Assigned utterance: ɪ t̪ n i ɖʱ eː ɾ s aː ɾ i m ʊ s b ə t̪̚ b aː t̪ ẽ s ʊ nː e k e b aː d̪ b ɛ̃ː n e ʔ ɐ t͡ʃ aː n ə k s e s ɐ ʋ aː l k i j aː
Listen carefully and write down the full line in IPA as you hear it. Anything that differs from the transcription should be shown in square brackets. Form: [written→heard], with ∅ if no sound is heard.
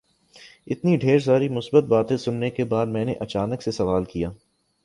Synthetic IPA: ɪ t̪ n i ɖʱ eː ɾ s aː ɾ i m ʊ s b ə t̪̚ b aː t̪ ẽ s ʊ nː e k e b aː d̪ [b→m] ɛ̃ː n e ʔ ɐ t͡ʃ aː n ə k s e s ɐ ʋ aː l k i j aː